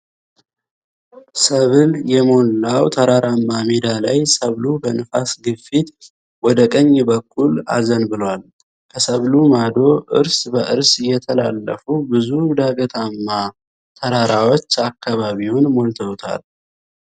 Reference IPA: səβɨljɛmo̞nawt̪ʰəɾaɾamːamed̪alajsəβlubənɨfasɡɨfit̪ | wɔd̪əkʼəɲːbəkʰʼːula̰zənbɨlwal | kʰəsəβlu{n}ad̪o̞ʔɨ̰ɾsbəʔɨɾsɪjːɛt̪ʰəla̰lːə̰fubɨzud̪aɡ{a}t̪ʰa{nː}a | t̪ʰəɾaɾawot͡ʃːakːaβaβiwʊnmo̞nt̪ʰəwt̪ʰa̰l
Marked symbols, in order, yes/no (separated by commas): no, no, no